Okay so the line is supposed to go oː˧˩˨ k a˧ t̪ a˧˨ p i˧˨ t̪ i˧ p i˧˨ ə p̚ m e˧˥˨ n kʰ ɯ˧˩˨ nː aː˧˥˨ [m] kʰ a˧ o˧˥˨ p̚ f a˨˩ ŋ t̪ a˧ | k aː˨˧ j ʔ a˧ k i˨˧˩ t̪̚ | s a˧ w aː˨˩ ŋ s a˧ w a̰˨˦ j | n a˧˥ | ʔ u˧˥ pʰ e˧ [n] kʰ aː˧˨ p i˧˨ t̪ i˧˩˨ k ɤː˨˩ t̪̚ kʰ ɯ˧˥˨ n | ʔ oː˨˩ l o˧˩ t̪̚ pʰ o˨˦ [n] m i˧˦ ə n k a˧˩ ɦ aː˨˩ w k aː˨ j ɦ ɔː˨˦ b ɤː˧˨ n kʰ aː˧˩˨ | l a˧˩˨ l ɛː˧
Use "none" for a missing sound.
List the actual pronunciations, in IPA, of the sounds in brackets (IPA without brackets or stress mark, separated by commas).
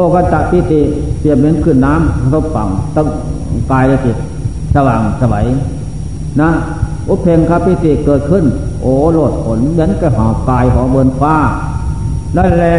m, ŋ, n